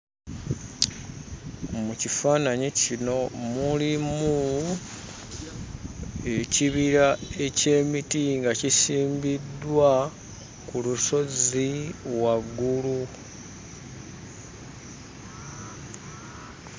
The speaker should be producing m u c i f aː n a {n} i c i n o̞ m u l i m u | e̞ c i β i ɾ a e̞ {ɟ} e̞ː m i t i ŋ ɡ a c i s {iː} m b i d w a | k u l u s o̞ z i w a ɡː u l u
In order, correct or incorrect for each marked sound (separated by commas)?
incorrect, incorrect, correct